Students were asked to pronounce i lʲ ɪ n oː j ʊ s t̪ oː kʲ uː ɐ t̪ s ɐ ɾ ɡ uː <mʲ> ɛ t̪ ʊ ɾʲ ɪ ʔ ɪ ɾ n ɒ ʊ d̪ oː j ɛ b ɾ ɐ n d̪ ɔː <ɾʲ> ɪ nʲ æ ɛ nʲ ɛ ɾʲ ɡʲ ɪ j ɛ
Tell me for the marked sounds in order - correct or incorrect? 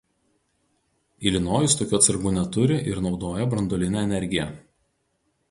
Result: incorrect, incorrect

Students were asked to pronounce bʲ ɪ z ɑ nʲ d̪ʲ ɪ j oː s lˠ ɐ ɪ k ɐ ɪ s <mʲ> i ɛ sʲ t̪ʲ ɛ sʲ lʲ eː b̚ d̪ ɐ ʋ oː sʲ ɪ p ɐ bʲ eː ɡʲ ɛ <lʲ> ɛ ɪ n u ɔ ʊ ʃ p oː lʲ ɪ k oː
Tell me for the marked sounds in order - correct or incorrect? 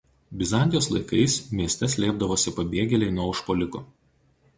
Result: correct, correct

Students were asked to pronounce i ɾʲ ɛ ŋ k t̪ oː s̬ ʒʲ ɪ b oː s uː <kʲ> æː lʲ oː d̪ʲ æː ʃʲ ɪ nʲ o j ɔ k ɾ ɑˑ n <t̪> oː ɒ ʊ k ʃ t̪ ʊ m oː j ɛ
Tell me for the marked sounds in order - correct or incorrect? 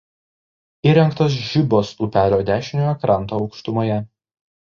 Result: incorrect, correct

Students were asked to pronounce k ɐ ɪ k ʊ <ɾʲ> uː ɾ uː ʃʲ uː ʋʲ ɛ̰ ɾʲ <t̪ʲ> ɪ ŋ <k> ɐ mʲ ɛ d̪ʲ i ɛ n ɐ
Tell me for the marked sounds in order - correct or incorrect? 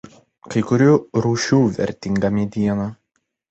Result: correct, correct, incorrect

